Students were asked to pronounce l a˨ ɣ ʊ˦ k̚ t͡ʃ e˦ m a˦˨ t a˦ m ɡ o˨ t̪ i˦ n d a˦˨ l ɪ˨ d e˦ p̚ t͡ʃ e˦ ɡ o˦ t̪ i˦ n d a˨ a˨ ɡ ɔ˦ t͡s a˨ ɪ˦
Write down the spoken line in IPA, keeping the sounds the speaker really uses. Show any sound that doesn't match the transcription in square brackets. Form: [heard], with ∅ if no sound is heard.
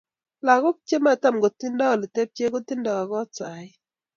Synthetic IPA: l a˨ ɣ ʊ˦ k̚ t͡ʃ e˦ m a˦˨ t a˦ m ɡ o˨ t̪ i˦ n d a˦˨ l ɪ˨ [t] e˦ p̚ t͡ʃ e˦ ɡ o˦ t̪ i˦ n d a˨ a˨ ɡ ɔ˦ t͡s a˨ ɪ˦